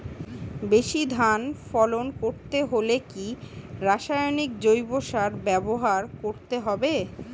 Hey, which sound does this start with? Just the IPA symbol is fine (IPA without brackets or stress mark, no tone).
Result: b